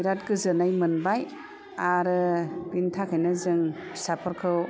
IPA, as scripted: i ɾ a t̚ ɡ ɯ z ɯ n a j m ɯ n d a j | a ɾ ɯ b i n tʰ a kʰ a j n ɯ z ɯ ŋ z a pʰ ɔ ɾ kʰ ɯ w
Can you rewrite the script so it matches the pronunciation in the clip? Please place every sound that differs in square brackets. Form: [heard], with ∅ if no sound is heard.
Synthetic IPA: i ɾ a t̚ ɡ ɯ z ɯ n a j m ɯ n [b] a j | a ɾ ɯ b i n tʰ a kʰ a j n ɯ z ɯ ŋ [s] a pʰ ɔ ɾ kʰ ɯ w